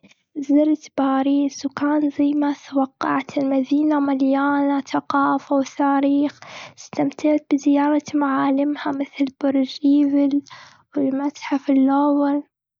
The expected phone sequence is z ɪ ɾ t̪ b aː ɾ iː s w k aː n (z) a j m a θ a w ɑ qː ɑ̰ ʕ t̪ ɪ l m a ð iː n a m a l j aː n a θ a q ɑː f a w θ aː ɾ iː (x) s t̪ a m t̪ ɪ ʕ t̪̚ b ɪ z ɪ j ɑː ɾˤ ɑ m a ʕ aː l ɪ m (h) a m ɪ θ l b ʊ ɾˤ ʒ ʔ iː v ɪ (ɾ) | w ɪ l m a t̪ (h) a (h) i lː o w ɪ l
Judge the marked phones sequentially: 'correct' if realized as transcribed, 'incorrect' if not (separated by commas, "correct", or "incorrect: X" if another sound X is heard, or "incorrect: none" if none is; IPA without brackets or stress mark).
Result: correct, correct, correct, incorrect: l, incorrect: ħ, incorrect: f